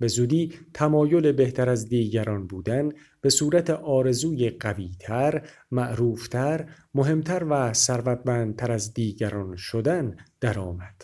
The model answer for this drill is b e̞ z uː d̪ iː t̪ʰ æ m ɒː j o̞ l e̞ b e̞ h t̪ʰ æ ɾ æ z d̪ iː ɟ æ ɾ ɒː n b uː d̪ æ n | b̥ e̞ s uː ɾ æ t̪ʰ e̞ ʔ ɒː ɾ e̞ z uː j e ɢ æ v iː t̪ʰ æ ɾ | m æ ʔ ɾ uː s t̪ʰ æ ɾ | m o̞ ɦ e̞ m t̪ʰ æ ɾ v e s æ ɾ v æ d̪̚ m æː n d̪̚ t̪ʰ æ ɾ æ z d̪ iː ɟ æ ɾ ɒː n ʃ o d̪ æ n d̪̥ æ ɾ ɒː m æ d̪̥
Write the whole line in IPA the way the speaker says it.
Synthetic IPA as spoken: b e̞ z uː d̪ iː t̪ʰ æ m ɒː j o̞ l e̞ b e̞ h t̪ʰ æ ɾ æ z d̪ iː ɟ æ ɾ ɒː n b uː d̪ æ n | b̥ e̞ s uː ɾ æ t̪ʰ e̞ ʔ ɒː ɾ e̞ z uː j e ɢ æ v iː t̪ʰ æ ɾ | m æ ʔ ɾ uː f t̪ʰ æ ɾ | m o̞ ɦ e̞ m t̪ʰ æ ɾ v æ s æ ɾ v æ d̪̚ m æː n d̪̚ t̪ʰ æ ɾ æ z d̪ iː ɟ æ ɾ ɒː n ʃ o d̪ æ n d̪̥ æ ɾ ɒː m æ d̪̥